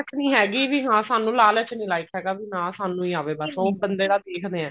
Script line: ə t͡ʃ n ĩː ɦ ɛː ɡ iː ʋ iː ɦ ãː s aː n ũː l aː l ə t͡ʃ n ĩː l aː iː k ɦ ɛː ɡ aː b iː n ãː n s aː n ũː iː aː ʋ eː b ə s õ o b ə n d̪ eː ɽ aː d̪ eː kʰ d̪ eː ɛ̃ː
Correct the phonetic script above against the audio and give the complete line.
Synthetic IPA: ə t͡ʃ n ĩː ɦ ɛː ɡ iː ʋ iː ɦ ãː s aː n ũː l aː l ə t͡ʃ n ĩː l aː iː k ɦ ɛː ɡ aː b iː n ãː s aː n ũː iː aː ʋ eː b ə s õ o b ə n d̪ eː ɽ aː d̪ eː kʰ d̪ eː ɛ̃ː